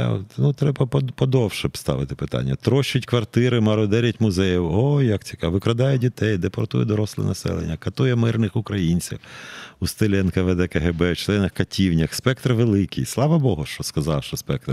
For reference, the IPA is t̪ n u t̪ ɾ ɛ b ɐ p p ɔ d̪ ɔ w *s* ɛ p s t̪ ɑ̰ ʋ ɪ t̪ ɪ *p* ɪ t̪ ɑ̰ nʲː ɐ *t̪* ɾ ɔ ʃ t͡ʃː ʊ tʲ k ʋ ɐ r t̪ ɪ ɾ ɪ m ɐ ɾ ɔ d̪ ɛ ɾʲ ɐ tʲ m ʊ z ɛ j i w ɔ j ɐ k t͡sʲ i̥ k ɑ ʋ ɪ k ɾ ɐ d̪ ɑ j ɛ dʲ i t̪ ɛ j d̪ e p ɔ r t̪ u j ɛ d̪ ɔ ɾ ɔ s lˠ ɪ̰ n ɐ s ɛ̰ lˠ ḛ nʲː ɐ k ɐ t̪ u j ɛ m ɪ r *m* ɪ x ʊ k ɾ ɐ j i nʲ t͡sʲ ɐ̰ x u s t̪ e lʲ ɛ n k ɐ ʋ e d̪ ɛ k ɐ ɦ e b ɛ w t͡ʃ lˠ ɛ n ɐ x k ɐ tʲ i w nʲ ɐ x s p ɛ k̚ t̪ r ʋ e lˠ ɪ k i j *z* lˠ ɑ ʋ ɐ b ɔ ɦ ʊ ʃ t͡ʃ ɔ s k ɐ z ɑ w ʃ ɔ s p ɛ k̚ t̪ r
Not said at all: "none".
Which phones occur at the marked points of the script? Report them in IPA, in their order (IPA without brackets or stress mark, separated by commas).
ʃ, p, t̪, n, s